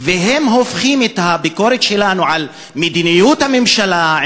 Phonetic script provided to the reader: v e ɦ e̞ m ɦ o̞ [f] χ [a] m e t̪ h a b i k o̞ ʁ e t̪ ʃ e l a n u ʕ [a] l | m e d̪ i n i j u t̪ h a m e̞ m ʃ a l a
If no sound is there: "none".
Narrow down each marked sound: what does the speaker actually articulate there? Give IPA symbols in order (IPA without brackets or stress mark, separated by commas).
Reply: f, i, a